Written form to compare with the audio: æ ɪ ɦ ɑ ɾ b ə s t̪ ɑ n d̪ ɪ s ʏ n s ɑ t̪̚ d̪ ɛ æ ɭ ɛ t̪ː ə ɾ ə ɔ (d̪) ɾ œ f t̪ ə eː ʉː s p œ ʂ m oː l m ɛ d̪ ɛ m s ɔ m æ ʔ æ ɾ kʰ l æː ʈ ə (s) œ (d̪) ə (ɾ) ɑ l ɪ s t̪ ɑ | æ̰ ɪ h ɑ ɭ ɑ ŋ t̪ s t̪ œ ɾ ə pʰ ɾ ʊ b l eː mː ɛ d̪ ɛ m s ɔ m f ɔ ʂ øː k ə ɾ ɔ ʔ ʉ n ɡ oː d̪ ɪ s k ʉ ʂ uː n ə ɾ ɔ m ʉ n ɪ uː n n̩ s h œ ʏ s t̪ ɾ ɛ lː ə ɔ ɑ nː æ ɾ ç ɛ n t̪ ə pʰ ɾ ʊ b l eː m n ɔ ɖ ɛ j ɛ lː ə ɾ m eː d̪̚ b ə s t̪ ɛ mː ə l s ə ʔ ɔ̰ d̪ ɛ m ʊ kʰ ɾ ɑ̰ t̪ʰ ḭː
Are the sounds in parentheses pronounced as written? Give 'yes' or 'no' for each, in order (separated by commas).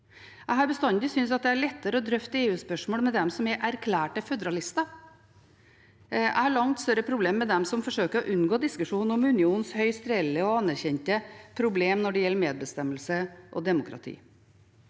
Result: yes, no, yes, yes